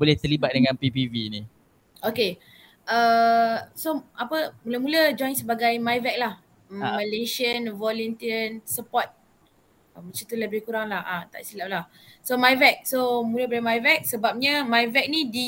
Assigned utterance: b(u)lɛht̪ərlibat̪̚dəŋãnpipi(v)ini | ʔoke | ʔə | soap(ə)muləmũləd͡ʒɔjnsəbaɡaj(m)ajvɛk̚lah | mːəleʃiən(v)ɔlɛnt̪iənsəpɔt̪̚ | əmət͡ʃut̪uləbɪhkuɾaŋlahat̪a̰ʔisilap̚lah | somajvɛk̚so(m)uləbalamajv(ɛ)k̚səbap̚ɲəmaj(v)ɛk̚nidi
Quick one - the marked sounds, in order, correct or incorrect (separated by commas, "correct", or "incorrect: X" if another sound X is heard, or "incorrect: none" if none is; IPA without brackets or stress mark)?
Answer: incorrect: o, correct, correct, correct, correct, correct, correct, correct